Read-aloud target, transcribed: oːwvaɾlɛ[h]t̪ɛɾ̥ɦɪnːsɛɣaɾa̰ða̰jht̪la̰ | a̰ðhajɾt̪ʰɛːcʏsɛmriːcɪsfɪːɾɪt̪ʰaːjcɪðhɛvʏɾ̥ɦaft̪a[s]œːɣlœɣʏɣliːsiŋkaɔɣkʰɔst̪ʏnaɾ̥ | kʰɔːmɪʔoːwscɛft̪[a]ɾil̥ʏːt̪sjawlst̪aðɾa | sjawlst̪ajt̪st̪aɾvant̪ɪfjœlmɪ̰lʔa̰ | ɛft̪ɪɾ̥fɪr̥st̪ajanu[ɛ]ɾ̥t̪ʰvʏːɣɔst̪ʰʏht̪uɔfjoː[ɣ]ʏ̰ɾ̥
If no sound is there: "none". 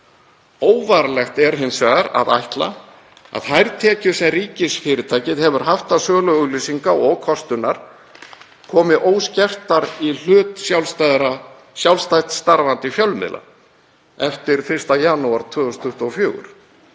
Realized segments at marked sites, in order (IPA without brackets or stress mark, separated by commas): x, s, a, a, ɣ